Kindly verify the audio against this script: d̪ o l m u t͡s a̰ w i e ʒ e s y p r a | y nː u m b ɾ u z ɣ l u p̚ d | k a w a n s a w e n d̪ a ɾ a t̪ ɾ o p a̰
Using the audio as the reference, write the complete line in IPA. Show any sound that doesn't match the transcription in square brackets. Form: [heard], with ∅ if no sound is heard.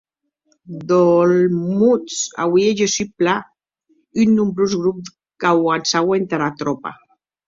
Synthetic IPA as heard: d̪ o l m u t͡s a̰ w i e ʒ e s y p [l] a | y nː u m b ɾ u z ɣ [ɾ] u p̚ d | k a w a n s a w e n [t̪] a ɾ a t̪ ɾ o p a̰